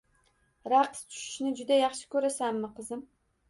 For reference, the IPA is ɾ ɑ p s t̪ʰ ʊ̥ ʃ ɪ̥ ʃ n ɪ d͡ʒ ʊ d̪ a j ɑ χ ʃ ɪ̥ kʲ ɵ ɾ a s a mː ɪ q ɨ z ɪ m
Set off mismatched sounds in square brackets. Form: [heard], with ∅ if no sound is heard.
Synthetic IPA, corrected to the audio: ɾ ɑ [q] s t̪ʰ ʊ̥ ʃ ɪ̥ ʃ n ɪ d͡ʒ ʊ d̪ a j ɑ χ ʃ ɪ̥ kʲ ɵ ɾ a s a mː ɪ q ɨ z ɪ m